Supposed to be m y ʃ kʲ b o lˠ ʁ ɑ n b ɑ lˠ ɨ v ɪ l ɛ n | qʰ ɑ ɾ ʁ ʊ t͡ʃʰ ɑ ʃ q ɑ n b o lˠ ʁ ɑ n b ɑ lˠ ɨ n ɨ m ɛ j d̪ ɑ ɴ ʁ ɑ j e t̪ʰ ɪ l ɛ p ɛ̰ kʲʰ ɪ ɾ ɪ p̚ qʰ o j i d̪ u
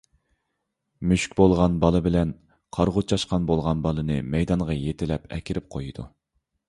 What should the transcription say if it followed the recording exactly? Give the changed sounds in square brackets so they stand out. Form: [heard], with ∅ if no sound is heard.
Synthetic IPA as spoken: m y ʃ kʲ b o lˠ ʁ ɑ n b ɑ lˠ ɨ [b] ɪ l ɛ n | qʰ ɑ ɾ ʁ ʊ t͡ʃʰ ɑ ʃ q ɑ n b o lˠ ʁ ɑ n b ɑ lˠ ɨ n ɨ m ɛ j d̪ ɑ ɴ ʁ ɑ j e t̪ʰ ɪ l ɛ p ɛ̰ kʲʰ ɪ ɾ ɪ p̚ qʰ o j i d̪ u